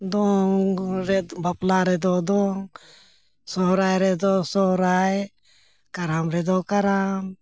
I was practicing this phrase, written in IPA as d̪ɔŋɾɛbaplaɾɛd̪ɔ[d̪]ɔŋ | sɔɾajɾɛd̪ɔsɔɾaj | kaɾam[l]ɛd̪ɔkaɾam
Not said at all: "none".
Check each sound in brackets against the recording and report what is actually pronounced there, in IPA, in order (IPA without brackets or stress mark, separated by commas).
d̪, ɾ